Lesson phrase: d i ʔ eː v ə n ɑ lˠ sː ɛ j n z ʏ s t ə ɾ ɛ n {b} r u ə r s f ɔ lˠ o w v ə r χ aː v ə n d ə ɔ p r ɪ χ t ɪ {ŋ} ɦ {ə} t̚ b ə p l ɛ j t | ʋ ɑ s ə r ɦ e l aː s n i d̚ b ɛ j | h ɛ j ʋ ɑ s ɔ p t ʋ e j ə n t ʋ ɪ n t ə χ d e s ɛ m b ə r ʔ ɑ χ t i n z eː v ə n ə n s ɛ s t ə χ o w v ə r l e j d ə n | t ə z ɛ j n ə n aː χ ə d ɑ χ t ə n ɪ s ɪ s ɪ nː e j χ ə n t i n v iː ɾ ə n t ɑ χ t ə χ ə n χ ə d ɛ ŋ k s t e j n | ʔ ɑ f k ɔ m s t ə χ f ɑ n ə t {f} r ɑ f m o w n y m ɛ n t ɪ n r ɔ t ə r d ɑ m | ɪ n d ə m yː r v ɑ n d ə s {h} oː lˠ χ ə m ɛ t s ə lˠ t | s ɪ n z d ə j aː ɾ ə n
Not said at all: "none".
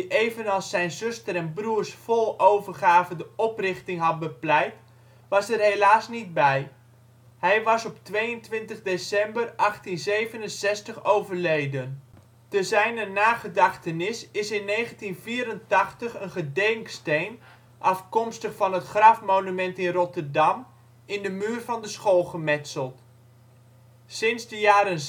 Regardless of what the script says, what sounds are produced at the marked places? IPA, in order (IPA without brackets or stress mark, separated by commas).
b, ŋ, ɑ, χ, χ